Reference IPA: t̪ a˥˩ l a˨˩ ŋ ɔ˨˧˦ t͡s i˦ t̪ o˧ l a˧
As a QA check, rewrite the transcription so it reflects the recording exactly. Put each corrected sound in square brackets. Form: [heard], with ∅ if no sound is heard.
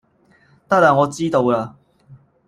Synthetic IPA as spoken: t̪ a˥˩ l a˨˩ ŋ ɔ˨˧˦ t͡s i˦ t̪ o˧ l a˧